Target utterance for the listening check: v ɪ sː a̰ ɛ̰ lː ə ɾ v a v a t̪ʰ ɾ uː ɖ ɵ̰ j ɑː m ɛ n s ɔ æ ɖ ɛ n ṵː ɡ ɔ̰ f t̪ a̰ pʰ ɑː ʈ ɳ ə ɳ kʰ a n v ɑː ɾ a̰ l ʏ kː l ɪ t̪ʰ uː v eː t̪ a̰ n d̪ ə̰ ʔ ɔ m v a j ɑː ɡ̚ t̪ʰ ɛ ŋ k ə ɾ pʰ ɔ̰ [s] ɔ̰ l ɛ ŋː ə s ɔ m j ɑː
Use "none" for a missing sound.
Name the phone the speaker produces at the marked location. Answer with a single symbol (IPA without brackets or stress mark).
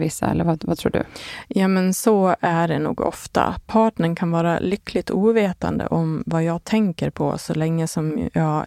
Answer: s